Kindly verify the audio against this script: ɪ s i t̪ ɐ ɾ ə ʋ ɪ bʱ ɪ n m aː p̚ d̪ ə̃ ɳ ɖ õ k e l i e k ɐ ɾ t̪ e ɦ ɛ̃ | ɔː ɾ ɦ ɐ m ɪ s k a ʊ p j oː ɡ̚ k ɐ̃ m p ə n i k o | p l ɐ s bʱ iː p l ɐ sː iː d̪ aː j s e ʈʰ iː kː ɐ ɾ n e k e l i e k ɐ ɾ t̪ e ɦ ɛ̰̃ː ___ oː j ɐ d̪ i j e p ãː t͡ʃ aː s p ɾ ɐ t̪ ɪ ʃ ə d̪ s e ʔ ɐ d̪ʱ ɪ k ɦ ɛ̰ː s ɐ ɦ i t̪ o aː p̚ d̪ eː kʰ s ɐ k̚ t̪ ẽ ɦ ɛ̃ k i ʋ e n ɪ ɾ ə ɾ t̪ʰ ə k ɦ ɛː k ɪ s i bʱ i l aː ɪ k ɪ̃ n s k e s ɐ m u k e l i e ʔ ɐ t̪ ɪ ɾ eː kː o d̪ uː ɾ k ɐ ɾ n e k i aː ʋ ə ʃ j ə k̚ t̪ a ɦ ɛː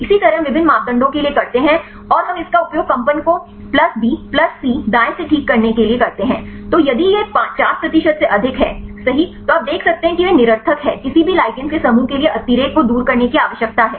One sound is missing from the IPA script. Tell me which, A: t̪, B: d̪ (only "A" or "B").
A